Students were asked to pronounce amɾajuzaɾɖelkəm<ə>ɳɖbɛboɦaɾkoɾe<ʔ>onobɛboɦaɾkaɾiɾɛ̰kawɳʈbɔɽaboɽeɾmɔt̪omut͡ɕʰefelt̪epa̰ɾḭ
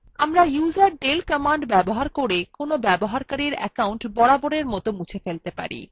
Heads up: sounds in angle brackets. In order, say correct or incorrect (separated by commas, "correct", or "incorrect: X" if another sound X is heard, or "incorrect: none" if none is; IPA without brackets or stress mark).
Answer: incorrect: a, incorrect: k